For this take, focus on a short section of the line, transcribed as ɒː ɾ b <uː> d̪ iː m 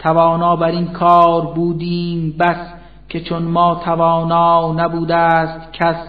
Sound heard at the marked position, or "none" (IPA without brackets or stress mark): uː